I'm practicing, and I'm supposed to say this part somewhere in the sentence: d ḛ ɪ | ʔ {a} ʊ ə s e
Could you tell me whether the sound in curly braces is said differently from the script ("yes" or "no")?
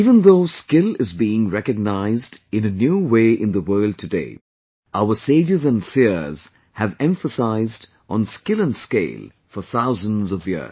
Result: no